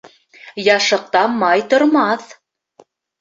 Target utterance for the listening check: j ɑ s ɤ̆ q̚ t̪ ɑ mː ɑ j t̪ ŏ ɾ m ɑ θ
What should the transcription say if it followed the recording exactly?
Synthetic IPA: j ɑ ʃ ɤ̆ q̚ t̪ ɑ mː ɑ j t̪ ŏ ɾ m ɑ θ